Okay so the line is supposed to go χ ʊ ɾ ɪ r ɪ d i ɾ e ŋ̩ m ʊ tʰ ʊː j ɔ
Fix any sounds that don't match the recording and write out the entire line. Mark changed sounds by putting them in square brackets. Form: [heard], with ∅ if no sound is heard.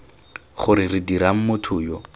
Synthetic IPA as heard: χ ʊ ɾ ɪ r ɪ d i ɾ [a] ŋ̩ m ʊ tʰ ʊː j ɔ